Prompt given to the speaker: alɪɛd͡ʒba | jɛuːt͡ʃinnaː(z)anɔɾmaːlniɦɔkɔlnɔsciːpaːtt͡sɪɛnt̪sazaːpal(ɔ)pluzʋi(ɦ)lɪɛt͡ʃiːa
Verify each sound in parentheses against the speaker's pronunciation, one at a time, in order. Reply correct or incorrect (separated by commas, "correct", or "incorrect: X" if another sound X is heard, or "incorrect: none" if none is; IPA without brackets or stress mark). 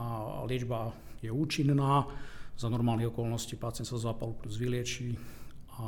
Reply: correct, incorrect: u, incorrect: none